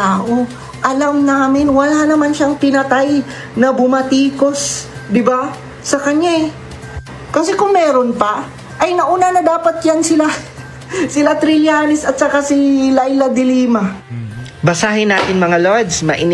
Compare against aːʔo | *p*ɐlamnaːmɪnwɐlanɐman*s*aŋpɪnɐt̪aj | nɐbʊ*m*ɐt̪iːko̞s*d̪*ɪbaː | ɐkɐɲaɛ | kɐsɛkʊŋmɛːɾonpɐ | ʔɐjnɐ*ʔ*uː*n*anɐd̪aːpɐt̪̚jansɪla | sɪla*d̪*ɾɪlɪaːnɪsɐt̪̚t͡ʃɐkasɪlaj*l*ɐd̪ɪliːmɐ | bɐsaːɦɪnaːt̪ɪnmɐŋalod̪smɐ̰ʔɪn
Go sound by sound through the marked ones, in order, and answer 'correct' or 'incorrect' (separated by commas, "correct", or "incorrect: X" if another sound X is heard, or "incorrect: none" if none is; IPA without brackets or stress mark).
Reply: incorrect: ʔ, incorrect: ʃ, correct, correct, correct, correct, incorrect: t̪, correct